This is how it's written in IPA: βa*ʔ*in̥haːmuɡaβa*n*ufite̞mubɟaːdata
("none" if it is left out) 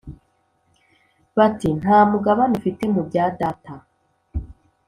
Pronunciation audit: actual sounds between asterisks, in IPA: t, n

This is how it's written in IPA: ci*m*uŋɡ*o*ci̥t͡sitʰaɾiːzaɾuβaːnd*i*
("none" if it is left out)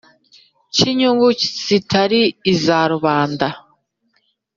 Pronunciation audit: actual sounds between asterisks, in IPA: ɲ, u, a

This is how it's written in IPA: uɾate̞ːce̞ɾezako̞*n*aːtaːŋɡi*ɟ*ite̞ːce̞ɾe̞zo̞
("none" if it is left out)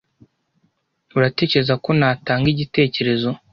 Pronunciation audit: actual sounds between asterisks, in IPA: n, ɟ

